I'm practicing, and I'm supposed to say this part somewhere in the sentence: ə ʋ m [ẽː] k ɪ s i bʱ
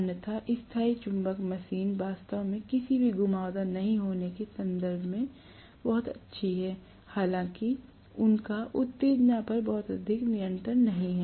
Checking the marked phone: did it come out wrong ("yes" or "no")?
yes